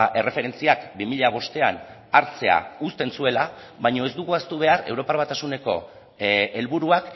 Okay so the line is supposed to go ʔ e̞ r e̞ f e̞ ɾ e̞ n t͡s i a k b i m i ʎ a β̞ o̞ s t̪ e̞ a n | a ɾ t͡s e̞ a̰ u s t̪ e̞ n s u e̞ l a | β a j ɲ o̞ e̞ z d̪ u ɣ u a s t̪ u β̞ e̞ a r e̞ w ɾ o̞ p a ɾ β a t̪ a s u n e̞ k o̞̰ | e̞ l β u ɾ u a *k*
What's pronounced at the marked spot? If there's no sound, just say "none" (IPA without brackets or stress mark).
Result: k